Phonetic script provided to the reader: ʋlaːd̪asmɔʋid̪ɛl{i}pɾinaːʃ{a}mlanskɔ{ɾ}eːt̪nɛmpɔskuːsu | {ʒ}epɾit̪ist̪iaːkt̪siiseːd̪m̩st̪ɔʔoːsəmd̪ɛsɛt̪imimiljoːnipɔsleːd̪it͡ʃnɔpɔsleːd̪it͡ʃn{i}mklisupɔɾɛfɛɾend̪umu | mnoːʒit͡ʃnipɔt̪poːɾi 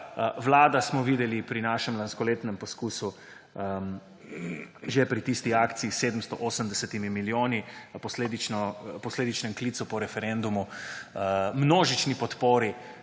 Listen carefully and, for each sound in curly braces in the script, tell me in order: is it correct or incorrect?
correct, incorrect: ɛ, incorrect: l, correct, incorrect: ɛ

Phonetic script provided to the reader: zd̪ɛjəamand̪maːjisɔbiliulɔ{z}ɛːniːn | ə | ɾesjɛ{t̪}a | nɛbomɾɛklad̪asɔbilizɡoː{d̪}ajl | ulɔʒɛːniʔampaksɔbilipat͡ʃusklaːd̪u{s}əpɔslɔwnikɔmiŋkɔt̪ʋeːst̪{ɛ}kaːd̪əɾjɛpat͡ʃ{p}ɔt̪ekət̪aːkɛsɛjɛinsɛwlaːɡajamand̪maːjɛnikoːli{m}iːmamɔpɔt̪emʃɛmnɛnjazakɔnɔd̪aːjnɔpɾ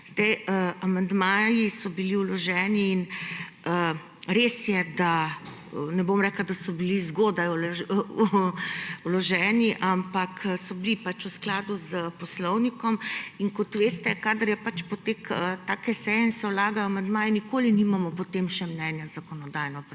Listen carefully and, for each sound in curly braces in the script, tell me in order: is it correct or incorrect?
incorrect: ʒ, incorrect: d̪, correct, incorrect: z, correct, correct, incorrect: n

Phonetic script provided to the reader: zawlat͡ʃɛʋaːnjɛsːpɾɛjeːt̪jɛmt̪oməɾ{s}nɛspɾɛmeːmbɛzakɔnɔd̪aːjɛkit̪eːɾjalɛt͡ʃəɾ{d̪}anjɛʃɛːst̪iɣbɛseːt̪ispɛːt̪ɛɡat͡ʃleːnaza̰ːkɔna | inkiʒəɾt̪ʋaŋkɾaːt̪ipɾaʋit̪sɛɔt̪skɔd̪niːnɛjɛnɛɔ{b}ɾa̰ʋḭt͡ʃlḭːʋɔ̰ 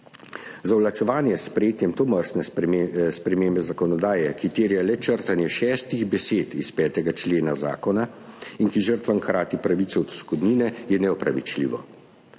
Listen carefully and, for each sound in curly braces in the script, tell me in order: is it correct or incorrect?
correct, incorrect: t̪, incorrect: p

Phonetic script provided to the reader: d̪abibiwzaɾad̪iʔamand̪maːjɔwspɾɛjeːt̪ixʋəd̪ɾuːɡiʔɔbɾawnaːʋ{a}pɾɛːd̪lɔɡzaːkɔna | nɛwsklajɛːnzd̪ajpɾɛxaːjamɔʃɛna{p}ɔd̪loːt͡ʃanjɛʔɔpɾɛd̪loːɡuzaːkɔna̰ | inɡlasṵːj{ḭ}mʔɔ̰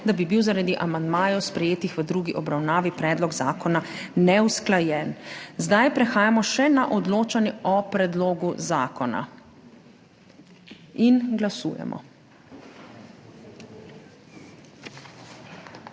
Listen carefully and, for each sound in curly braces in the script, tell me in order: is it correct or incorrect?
incorrect: i, incorrect: ʔ, incorrect: ɛ̰

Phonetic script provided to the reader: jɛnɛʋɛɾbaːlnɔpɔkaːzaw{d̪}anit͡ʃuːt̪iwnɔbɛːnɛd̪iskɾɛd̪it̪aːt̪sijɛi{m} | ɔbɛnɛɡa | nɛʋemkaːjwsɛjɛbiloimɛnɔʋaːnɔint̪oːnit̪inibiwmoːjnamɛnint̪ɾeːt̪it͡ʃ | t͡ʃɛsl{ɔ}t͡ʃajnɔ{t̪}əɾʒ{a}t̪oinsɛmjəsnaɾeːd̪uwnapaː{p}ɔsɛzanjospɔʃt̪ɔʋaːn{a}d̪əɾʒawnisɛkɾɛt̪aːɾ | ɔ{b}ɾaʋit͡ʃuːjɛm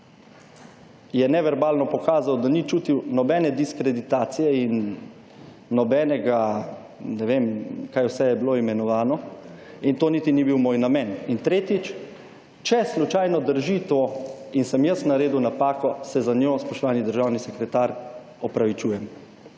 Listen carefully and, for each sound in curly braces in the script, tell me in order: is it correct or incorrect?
correct, incorrect: n, incorrect: u, incorrect: d̪, incorrect: i, incorrect: k, incorrect: i, incorrect: p

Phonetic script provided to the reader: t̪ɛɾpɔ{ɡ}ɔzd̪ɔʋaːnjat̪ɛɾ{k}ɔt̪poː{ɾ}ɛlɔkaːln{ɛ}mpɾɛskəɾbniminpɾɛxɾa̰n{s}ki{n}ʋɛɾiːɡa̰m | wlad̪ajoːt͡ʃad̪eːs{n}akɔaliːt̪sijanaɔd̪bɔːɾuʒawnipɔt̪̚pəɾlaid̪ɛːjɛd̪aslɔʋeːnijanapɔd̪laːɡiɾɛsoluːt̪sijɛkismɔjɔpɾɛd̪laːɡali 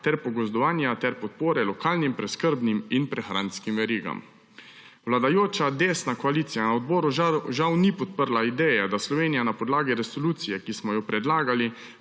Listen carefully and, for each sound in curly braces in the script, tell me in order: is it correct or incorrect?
correct, incorrect: p, correct, incorrect: i, correct, incorrect: m, correct

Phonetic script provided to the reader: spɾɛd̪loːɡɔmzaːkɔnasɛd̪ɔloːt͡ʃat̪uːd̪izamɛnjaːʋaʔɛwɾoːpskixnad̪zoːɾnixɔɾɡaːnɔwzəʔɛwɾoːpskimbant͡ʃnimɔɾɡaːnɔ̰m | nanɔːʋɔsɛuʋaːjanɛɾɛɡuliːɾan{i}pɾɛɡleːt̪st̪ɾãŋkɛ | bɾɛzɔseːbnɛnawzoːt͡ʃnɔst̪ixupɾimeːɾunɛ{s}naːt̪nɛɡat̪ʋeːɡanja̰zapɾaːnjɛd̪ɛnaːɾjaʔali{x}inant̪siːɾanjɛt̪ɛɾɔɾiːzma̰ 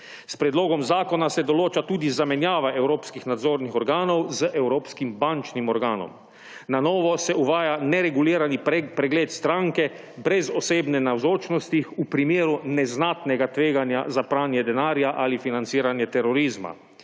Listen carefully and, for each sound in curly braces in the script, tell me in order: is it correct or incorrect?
correct, incorrect: z, incorrect: f

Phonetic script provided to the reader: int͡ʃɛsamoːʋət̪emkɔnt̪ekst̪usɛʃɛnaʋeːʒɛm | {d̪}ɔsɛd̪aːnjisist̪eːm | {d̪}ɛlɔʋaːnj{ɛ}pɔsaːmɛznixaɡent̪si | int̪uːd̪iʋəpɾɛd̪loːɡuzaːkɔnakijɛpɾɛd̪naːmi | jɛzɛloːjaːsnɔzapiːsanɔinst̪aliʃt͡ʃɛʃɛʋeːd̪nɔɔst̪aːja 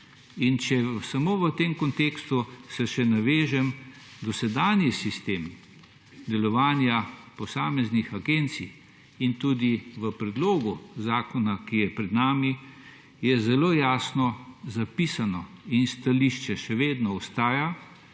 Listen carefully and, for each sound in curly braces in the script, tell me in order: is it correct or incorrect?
correct, correct, incorrect: a

